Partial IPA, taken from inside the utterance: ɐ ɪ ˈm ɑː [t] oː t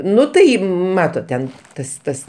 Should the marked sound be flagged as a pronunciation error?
no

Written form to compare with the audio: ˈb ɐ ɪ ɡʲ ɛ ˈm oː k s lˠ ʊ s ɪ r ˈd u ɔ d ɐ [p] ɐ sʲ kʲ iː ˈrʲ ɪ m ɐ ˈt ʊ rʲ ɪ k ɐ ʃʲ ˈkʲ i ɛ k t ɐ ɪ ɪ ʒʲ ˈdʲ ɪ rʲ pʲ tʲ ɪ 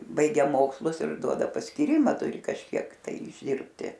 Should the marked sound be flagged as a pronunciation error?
no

